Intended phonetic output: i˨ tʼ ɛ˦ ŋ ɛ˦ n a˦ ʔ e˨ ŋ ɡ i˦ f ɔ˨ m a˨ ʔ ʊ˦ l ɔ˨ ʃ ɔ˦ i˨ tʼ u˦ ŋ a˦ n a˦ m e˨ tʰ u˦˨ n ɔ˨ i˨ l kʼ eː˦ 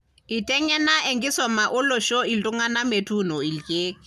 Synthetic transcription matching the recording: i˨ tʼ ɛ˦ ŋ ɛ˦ n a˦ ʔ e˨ ŋ ɡ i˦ s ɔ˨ m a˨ ʔ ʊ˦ l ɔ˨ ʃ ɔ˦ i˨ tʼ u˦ ŋ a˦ n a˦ m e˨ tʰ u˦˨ n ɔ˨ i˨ l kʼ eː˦